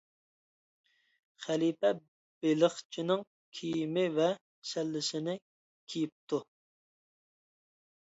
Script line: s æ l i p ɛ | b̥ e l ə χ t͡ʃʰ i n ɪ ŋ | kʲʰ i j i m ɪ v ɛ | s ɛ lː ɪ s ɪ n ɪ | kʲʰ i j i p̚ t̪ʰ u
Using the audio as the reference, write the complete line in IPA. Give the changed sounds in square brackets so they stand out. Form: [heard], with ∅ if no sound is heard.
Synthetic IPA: [χ] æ l i p ɛ | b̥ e l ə χ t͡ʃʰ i n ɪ ŋ | kʲʰ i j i m ɪ v ɛ | s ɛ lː ɪ s ɪ n ɪ | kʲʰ i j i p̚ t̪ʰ u